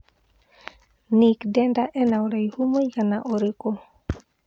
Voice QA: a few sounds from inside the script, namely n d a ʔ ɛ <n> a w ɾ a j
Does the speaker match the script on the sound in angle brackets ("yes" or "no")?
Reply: yes